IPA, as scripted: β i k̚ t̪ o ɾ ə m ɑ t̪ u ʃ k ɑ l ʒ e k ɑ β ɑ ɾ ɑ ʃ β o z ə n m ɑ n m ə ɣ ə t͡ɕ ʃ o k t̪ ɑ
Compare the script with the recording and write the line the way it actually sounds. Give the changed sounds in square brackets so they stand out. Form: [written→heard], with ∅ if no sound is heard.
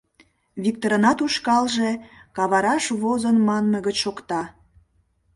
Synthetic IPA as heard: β i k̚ t̪ o ɾ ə [m→n] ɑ t̪ u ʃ k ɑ l ʒ e k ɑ β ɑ ɾ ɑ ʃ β o z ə n m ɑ n m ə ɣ ə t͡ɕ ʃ o k t̪ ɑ